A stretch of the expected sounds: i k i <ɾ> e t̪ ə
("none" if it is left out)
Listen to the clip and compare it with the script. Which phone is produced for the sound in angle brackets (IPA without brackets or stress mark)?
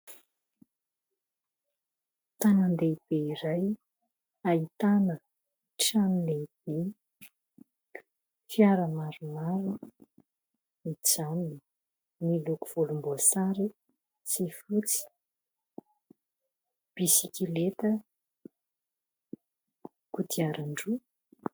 l